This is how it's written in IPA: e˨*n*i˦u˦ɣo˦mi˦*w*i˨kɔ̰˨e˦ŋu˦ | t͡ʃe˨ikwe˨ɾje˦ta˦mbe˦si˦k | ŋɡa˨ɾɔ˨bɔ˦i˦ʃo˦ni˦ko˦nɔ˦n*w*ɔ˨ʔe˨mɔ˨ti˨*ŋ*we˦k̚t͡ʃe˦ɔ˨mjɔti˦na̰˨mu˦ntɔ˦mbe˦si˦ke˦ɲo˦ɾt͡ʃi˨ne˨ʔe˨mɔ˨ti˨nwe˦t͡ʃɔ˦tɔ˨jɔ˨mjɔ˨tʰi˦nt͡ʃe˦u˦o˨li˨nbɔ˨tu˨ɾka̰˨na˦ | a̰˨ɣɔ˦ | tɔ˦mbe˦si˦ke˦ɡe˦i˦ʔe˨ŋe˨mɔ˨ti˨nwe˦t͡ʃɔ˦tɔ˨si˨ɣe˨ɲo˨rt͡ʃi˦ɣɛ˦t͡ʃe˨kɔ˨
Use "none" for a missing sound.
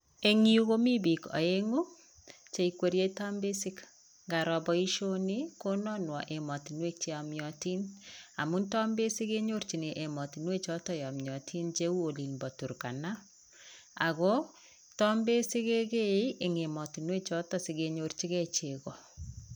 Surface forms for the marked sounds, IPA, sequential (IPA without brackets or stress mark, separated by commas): ŋ, b, w, n